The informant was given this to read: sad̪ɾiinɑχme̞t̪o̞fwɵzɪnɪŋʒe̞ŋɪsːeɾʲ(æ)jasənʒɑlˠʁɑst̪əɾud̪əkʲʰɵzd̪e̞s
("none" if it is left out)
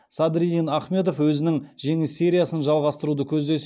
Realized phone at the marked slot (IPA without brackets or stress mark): i